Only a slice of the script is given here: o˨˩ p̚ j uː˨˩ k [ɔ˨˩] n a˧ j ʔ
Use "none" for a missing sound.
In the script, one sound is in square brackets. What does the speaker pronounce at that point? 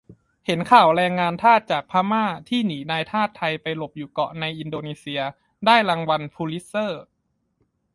ɔ˨˩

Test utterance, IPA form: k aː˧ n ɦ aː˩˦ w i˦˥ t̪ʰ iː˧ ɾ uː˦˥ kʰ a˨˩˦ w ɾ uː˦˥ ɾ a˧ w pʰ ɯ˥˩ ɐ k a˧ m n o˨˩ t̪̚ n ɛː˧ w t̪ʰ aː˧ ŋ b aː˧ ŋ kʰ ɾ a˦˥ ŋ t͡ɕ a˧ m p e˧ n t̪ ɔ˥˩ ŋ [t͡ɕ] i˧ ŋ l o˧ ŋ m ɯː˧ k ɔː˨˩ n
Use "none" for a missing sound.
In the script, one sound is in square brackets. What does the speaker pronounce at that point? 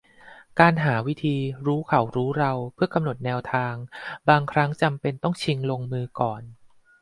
t͡ɕʰ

